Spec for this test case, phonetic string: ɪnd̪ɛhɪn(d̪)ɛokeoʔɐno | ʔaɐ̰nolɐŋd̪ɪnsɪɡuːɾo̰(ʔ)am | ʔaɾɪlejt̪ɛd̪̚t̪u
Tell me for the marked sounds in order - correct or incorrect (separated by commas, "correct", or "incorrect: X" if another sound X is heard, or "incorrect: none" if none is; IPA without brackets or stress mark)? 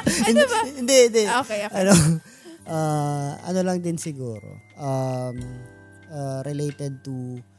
correct, correct